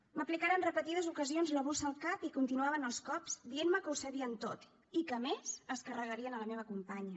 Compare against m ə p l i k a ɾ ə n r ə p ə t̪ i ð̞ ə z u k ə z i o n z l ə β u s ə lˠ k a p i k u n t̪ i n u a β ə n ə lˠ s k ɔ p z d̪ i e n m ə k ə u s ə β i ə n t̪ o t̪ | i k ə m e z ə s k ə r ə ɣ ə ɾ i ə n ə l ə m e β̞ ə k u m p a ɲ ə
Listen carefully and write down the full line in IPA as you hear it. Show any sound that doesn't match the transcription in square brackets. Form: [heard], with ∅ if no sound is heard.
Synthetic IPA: m ə p l i k a ɾ ə n r ə p ə t̪ i ð̞ ə z u k ə z i o n z l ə β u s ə lˠ k a p i k u n t̪ i n u a β ə n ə lˠ s k ɔ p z d̪ i e n m ə k ə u s ə β i ə n t̪ o t̪ | i k ə m e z ə s k ə r ə ɣ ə ɾ i ə n ə l ə m e β̞ ə k u m p a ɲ ə